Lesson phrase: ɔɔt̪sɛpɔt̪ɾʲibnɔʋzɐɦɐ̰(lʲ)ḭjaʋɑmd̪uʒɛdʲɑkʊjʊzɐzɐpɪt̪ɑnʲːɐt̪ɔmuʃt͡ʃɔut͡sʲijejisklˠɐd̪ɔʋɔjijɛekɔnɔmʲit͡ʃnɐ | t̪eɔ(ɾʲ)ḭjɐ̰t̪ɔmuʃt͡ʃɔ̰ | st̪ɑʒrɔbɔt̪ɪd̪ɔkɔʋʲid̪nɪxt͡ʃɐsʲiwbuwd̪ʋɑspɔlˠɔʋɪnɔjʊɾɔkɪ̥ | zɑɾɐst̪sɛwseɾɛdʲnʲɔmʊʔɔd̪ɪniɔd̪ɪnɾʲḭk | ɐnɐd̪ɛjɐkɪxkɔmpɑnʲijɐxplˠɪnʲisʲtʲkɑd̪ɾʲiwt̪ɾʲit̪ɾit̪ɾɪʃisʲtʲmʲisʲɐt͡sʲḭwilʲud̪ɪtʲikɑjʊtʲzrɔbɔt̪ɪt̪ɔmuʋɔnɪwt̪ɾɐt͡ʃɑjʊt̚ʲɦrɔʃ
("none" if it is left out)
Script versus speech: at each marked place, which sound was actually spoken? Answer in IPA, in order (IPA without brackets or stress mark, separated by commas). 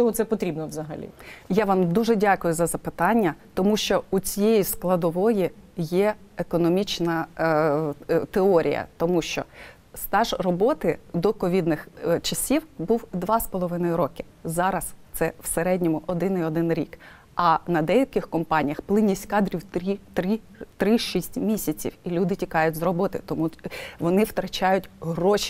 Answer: lʲ, ɾʲ